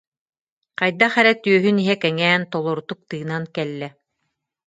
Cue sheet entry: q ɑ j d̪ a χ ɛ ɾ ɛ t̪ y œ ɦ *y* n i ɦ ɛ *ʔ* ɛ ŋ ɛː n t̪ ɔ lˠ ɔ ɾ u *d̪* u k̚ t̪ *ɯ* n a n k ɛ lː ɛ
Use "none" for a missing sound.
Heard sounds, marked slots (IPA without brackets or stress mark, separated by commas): y, k, t̪, ɯː